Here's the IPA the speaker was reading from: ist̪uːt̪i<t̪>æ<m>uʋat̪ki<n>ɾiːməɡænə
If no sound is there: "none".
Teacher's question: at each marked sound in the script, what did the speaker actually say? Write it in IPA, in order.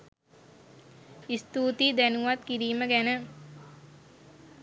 d̪, n, none

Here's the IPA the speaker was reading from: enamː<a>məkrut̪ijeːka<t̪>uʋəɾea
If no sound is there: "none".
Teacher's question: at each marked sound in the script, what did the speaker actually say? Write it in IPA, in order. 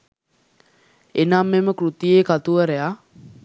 e, t̪

